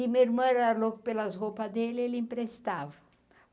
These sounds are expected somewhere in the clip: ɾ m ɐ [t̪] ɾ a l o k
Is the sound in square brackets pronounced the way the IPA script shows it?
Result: no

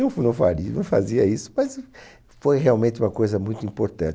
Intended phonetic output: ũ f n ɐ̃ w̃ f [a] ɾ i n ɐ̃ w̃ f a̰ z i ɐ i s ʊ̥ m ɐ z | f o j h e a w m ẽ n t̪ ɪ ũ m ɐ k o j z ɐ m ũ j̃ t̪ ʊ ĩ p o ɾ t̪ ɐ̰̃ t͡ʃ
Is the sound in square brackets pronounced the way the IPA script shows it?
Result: yes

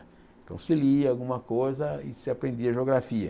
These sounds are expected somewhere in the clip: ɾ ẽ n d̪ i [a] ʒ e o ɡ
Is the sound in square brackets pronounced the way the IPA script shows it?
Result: no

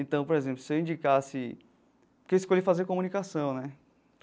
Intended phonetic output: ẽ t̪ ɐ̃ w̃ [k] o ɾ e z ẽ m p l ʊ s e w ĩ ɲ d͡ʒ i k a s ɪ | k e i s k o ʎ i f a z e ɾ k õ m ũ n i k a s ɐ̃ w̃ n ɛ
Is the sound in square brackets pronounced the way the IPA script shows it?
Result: no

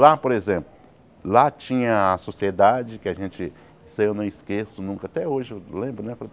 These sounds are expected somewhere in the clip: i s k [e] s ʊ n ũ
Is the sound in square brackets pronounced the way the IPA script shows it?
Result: yes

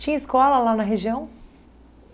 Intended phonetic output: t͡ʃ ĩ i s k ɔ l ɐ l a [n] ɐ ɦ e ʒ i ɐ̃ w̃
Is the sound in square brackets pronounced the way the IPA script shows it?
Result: yes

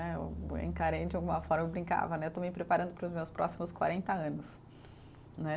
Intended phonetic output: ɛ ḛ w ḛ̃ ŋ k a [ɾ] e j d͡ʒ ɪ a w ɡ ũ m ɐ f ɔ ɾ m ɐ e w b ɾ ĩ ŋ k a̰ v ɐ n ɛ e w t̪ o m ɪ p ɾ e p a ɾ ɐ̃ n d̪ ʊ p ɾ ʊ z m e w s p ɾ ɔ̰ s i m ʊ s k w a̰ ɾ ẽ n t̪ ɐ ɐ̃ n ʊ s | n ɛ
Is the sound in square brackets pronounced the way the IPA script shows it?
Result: yes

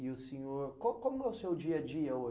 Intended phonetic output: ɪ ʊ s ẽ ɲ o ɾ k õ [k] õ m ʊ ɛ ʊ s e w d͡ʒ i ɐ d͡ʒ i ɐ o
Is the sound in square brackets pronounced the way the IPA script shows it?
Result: yes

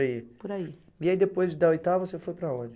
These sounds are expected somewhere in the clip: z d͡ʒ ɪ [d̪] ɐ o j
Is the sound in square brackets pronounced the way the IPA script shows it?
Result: yes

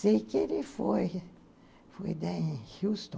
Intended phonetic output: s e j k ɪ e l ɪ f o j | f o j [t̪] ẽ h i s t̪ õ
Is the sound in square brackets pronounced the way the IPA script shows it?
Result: no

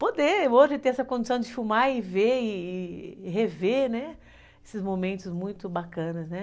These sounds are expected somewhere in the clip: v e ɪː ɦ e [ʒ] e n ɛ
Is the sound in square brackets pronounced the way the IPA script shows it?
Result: no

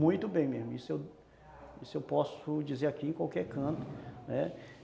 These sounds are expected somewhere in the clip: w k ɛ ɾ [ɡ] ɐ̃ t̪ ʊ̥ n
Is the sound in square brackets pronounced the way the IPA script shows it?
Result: no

